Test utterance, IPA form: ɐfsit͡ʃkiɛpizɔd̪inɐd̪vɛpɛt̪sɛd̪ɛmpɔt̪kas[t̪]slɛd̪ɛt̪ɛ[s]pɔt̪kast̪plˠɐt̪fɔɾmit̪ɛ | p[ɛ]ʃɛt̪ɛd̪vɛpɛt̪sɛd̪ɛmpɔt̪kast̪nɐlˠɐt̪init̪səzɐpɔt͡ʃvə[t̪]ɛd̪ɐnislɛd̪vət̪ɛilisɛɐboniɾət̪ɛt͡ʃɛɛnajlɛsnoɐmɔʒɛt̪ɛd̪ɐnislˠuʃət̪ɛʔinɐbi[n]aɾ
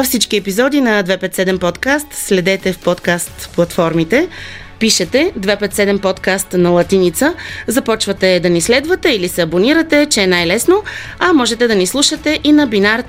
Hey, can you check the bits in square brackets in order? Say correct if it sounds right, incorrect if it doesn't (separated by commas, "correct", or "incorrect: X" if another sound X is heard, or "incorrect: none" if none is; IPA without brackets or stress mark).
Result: correct, incorrect: f, incorrect: i, correct, correct